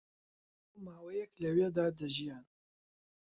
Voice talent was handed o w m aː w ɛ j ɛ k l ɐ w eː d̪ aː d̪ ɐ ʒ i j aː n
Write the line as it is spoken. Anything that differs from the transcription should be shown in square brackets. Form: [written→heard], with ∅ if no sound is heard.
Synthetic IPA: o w m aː w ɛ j ɛ k l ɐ w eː d̪ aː d̪ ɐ ʒ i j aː n